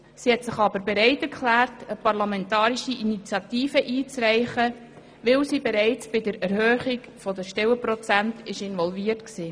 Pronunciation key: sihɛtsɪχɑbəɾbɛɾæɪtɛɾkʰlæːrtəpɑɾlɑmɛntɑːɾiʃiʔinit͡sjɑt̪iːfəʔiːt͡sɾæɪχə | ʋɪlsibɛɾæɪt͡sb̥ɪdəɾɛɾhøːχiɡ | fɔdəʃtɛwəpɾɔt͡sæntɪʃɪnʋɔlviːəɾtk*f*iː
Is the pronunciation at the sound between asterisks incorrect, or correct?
incorrect: s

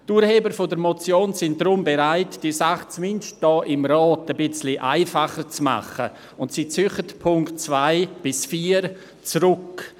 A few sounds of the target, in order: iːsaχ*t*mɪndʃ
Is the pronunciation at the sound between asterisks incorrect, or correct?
incorrect: t͡s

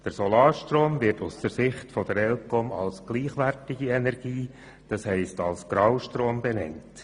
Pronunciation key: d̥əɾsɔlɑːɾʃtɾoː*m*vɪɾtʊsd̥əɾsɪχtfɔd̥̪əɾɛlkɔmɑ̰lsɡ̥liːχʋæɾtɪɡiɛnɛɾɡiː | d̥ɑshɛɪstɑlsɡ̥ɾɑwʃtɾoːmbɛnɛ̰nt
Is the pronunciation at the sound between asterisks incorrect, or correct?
correct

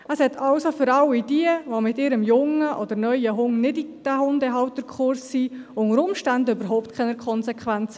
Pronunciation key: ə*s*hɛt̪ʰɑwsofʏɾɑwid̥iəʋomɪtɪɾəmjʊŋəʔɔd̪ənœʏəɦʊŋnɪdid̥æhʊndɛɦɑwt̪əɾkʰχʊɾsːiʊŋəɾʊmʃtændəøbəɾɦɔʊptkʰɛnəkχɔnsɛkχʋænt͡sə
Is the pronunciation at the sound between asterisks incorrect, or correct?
correct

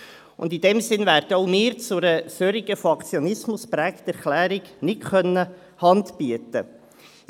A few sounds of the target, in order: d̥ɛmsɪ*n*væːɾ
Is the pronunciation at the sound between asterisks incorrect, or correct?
correct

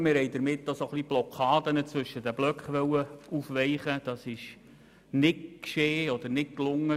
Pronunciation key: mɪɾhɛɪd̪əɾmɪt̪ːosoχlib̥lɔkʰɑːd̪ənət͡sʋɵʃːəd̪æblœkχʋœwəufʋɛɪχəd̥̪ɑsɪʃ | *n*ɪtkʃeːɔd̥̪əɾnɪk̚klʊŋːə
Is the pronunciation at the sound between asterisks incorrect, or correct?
correct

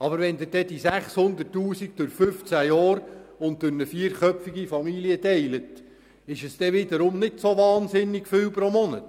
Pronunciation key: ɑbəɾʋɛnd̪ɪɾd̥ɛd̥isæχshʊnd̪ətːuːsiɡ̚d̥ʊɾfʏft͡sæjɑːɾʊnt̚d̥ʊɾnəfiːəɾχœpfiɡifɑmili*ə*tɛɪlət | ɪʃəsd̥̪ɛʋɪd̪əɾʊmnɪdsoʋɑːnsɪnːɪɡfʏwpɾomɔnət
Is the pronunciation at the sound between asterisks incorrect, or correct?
correct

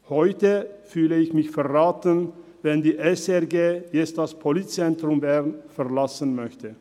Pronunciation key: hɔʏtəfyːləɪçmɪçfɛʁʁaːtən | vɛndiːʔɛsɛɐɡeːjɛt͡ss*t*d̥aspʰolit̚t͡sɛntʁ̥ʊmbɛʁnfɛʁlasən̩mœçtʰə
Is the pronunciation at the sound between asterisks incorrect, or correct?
correct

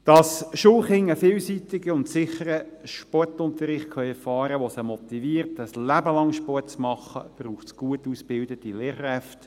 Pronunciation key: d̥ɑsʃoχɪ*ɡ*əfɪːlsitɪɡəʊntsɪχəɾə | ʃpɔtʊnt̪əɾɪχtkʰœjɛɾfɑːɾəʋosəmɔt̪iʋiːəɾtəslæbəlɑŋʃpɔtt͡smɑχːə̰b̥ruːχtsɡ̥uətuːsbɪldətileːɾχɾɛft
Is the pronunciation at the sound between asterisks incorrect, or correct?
incorrect: ŋ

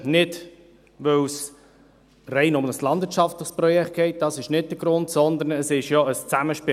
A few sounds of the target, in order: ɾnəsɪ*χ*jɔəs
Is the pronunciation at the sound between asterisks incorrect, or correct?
incorrect: ʃ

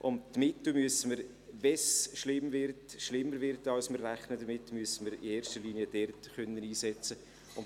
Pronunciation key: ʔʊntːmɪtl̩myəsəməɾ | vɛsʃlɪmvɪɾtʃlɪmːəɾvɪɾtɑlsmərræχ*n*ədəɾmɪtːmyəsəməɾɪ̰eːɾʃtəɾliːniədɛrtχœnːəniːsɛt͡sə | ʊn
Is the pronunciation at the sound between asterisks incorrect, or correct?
correct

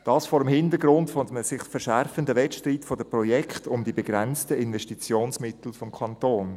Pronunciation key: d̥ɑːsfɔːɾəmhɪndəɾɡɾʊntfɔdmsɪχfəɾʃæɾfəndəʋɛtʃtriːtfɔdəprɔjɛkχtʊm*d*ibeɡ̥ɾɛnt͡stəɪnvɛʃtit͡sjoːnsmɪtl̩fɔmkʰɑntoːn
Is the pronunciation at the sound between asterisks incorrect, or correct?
correct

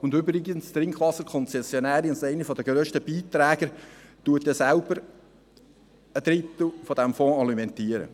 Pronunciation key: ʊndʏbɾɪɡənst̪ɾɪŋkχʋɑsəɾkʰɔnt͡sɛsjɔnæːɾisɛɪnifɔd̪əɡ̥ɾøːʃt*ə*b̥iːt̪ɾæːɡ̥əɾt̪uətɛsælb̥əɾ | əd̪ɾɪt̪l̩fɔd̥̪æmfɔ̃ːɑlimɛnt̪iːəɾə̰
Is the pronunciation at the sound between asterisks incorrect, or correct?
correct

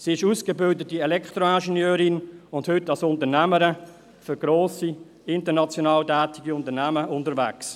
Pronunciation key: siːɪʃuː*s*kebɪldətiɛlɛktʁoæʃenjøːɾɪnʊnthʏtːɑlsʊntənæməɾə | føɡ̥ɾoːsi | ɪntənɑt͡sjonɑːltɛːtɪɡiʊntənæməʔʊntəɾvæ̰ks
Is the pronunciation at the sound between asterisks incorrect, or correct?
correct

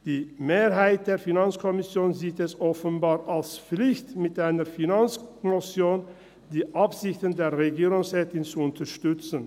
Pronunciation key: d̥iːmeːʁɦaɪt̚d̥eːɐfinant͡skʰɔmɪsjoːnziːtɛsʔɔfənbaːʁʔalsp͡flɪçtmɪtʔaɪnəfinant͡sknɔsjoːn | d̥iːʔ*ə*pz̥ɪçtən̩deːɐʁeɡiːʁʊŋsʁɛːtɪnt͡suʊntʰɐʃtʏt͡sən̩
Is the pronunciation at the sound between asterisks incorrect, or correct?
incorrect: a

